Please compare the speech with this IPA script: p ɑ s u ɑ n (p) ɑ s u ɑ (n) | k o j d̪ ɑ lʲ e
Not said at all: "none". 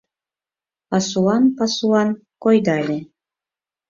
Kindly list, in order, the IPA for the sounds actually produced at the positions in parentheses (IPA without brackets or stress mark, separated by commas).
p, n